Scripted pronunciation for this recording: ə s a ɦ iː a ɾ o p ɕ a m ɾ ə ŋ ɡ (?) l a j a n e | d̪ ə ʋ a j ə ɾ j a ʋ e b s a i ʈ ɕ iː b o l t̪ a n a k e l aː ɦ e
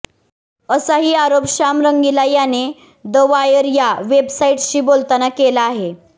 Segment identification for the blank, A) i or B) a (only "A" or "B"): A